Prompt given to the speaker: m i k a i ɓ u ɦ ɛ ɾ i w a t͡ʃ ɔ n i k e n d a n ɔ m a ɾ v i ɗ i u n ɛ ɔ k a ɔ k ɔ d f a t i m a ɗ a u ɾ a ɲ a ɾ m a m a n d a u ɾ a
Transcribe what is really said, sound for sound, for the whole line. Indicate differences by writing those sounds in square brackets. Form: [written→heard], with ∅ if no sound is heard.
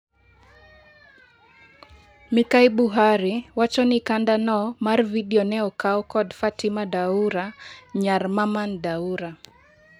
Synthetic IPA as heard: m i k a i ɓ u ɦ [ɛ→a] ɾ i w a t͡ʃ ɔ n i k [e→a] n d a n ɔ m a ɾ v i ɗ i [u→ɔ] n ɛ ɔ k a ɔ k ɔ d f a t i m a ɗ a u ɾ a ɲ a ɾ m a m a n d a u ɾ a